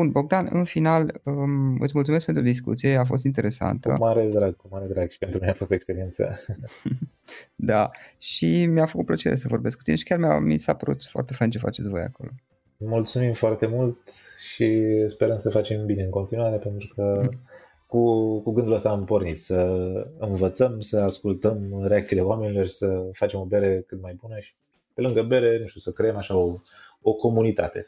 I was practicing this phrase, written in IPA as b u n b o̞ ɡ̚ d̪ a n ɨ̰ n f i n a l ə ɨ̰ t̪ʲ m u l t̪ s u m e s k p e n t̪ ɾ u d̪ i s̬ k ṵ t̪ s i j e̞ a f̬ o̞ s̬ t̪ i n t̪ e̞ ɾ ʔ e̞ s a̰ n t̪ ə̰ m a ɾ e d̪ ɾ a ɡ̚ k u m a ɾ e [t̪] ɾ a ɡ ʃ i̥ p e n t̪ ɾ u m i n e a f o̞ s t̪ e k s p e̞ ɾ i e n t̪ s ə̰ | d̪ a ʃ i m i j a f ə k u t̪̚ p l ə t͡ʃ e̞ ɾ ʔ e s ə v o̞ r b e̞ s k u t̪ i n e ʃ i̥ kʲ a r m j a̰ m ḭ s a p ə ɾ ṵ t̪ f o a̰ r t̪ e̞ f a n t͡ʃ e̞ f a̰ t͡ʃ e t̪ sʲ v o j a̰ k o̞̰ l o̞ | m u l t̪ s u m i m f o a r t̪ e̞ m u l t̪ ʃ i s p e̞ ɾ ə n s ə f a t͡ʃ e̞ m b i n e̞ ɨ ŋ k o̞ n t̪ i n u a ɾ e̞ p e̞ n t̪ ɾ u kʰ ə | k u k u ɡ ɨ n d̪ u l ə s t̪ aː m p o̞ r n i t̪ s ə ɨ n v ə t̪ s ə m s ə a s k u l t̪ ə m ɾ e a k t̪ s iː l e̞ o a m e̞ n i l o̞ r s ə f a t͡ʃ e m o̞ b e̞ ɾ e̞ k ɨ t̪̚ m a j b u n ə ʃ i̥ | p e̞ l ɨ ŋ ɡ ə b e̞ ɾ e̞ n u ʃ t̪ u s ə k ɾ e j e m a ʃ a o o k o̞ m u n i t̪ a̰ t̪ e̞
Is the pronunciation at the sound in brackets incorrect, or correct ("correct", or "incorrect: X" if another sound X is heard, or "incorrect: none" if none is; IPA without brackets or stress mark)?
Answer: incorrect: d̪